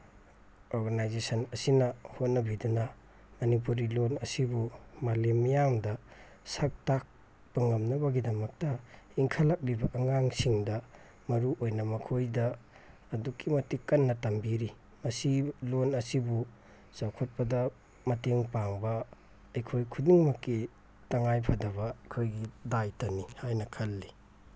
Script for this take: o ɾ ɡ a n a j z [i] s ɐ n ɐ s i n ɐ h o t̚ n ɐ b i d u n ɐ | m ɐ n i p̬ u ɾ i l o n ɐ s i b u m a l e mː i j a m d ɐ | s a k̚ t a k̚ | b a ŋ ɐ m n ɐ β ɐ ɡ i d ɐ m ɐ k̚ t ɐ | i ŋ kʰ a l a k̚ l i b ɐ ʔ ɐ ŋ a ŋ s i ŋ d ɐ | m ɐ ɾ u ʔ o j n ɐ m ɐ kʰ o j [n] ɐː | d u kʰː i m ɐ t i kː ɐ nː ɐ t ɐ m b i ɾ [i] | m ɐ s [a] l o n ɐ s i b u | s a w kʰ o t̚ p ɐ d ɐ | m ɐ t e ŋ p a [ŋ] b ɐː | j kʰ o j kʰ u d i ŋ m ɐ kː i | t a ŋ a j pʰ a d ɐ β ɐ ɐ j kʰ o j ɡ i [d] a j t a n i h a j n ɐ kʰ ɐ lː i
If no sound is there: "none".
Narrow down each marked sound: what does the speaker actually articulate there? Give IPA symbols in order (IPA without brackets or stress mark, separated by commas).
e, d, i, i, ŋ, d